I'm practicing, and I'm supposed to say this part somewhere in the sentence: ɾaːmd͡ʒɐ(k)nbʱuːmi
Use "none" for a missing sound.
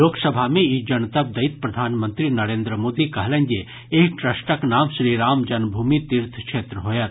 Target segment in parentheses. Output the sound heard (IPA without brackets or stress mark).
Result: none